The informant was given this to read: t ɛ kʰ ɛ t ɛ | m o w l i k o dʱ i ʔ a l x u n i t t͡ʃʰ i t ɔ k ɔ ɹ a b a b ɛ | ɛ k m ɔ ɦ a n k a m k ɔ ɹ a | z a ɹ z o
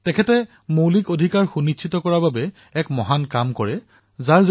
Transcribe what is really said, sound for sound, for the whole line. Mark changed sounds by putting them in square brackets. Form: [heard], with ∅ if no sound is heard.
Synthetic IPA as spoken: t ɛ kʰ ɛ t ɛ | m o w l i k o dʱ i [k] a [ɹ] x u n i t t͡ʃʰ i t ɔ k ɔ ɹ a b a b ɛ | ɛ k m ɔ ɦ a n k a m k ɔ ɹ [ɛ] | z a ɹ z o